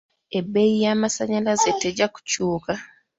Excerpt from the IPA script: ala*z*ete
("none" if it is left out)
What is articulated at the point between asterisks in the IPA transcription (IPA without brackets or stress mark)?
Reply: z